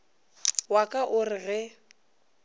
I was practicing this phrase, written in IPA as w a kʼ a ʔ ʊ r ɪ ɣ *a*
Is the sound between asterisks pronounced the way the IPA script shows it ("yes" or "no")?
no